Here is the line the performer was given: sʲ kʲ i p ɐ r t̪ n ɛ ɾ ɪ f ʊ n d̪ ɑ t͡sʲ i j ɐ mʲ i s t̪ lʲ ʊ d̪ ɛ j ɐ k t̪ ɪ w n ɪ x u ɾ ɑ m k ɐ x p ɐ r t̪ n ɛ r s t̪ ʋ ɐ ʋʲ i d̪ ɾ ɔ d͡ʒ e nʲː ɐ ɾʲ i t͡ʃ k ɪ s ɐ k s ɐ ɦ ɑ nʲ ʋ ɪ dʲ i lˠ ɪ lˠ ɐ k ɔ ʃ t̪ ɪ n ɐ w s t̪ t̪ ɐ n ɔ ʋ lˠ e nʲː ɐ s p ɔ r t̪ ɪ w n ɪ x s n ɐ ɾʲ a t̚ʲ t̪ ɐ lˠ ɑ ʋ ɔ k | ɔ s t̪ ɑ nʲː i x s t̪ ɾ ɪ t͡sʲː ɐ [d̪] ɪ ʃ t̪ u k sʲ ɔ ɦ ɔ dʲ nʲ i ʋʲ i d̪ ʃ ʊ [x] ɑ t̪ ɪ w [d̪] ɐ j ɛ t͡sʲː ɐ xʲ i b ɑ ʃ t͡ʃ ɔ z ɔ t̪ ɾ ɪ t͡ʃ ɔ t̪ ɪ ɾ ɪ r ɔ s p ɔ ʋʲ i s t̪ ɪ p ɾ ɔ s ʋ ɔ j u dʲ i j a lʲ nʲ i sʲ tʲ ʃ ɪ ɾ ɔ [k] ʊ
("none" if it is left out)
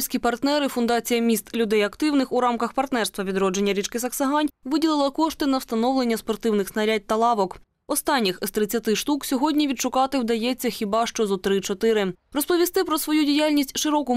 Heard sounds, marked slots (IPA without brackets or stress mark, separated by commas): t̪, k, d̪, k